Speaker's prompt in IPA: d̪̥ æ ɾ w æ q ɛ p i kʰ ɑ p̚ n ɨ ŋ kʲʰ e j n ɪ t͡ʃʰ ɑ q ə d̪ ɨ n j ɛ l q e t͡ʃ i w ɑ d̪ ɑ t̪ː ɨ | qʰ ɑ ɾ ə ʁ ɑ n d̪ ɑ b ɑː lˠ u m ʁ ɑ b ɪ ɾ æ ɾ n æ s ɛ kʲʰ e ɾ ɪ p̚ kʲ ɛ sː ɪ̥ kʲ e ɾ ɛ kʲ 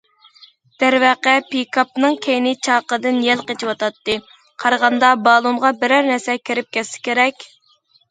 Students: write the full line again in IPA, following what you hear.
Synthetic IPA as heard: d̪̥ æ ɾ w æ q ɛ p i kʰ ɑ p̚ n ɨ ŋ kʲʰ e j n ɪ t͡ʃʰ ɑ q ə d̪ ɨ n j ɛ l q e t͡ʃ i w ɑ t̪ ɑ t̪ː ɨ | qʰ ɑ ɾ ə ʁ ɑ n d̪ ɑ b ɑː lˠ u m ʁ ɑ b ɪ ɾ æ ɾ n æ s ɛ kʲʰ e ɾ ɪ p̚ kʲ ɛ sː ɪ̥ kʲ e ɾ ɛ kʲ